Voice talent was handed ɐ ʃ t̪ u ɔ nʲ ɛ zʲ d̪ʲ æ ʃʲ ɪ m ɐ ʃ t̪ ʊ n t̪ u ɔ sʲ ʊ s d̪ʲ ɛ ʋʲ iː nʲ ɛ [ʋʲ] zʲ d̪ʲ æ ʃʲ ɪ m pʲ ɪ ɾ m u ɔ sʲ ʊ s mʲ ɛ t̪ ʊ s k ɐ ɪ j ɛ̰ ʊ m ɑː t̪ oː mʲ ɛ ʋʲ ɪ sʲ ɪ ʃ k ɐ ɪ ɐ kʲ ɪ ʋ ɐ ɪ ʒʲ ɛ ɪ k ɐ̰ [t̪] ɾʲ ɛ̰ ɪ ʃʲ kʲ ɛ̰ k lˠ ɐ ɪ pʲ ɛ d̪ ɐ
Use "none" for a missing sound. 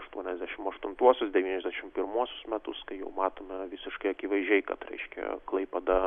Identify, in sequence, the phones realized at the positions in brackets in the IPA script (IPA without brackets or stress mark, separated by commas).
none, t̪